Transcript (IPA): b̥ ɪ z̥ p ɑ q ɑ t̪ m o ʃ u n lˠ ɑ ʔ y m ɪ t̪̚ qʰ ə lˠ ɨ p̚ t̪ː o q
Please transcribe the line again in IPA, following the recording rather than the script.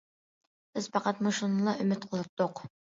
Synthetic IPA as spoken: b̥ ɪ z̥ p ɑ q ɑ t̪ m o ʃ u n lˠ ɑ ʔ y m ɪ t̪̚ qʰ ə lˠ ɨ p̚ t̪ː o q